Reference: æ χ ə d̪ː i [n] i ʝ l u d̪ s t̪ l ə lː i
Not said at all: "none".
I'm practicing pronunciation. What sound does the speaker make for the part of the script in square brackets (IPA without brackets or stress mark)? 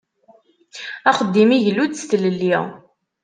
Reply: m